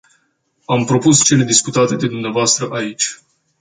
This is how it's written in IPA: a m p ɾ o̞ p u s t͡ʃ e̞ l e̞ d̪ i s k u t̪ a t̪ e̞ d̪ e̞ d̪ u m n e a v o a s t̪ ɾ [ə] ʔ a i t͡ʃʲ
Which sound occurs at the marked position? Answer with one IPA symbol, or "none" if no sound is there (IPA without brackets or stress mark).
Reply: ə